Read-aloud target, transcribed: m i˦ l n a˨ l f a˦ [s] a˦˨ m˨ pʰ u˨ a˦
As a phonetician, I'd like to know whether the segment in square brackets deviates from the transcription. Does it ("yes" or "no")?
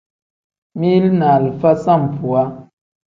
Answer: no